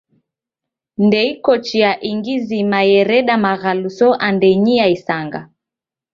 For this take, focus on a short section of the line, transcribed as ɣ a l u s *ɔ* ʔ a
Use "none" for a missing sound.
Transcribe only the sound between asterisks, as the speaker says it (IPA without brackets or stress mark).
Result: ɔ